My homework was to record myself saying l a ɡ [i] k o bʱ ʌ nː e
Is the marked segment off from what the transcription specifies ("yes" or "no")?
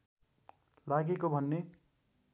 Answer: yes